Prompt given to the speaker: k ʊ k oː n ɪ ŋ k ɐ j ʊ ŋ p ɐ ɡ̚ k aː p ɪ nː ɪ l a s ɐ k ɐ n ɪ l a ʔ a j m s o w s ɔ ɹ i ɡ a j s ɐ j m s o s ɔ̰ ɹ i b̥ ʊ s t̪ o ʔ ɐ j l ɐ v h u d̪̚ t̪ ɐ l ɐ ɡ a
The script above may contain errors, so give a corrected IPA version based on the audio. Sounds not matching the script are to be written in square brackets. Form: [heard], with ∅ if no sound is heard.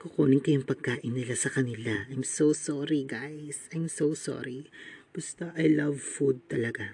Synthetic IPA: k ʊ k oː n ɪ ŋ k ɐ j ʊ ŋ p ɐ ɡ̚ k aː [ʔ] ɪ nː ɪ l a s ɐ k ɐ n ɪ l a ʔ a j m s o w s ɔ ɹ i ɡ a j s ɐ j m s o s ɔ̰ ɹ i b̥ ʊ s t̪ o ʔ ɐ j l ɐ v [f] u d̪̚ t̪ ɐ l ɐ ɡ a